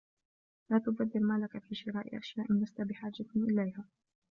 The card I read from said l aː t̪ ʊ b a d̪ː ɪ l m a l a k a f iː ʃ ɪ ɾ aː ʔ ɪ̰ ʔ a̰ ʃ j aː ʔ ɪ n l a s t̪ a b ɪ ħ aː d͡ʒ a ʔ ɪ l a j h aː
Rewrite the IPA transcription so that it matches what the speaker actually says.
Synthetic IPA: l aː t̪ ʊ b a d̪ː ɪ l m a l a k a f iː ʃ ɪ ɾ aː ʔ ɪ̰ ʔ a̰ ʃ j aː ʔ ɪ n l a s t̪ a b ɪ ħ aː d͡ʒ a ʔ ɪ l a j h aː